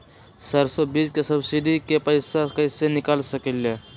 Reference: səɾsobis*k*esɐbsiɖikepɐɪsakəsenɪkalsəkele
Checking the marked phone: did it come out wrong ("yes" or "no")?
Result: no